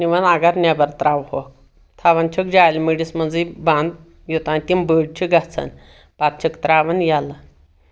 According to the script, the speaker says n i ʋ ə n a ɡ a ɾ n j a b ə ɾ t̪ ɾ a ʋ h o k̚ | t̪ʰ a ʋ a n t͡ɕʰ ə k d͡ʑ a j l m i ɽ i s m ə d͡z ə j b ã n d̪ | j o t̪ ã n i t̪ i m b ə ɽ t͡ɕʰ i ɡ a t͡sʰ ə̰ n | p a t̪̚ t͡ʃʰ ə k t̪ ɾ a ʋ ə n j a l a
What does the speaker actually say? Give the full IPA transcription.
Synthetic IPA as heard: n i ʋ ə n a ɡ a ɾ n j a b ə ɾ t̪ ɾ a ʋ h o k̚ | t̪ʰ a ʋ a n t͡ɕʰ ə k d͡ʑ a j l m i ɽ i s m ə d͡z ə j b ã n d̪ | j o t̪ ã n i t̪ i m b ə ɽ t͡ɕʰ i ɡ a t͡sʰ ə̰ n | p a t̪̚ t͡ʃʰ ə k t̪ ɾ a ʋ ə n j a l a